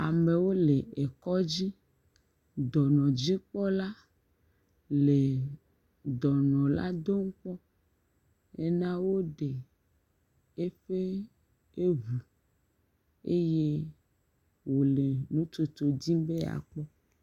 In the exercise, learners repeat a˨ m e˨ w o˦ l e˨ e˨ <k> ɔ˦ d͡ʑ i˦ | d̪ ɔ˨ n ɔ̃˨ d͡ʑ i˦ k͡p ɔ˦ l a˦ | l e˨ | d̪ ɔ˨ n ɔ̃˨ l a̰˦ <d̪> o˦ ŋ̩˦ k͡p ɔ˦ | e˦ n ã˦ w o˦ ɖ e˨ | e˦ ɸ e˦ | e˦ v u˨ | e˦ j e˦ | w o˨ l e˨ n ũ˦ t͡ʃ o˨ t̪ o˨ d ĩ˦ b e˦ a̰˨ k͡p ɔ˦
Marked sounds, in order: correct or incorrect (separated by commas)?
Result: correct, correct